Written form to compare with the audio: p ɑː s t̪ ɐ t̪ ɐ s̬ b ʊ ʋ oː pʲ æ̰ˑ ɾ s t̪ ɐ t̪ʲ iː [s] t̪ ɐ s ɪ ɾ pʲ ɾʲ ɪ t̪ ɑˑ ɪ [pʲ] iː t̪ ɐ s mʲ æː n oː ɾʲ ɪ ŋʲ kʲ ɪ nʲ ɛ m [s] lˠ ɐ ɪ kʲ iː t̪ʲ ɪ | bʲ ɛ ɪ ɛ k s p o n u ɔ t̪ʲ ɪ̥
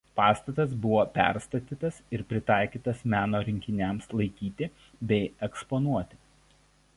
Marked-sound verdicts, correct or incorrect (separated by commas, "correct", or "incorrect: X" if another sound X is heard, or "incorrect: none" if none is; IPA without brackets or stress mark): incorrect: none, incorrect: kʲ, correct